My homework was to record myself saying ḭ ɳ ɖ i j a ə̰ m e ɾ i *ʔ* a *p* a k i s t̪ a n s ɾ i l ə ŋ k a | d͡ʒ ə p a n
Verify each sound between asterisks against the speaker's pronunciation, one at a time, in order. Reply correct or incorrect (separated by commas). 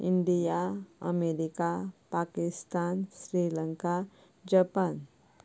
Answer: incorrect, correct